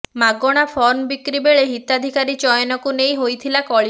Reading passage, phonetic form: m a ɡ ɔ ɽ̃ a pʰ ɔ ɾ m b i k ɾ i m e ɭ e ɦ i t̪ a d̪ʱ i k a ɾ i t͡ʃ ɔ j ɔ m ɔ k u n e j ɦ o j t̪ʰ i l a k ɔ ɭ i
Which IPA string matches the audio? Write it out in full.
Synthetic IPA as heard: m a ɡ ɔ ɽ̃ a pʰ ɔ ɾ m b i k ɾ i b e ɭ e ɦ i t̪ a d̪ʱ i k a ɾ i t͡ʃ ɔ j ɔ n ɔ k u n e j ɦ o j t̪ʰ i l a k ɔ ɭ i